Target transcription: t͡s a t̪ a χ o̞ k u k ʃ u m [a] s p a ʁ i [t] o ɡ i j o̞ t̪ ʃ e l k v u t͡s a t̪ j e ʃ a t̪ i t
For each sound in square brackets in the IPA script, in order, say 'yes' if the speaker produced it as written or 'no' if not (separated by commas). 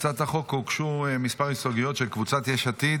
no, no